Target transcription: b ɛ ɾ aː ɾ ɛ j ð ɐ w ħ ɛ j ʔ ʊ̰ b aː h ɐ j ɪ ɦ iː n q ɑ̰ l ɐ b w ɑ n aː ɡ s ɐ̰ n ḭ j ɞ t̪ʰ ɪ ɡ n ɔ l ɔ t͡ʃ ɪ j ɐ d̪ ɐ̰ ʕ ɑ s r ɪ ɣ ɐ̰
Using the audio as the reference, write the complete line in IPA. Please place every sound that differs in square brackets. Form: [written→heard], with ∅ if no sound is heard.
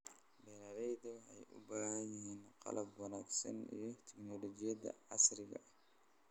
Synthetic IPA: b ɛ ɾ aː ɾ ɛ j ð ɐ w ħ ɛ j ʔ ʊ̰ b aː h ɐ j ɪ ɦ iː n q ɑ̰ l ɐ b w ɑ n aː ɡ s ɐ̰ n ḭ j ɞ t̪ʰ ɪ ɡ n ɔ l ɔ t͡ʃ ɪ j ɐ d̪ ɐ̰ ʕ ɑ s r ɪ ɣ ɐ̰